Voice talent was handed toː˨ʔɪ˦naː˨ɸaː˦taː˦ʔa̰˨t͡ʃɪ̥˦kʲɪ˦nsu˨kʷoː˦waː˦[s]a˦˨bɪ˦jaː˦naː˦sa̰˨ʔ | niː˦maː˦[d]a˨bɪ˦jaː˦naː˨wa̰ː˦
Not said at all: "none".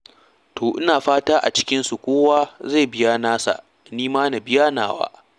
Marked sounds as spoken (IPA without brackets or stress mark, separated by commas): z, n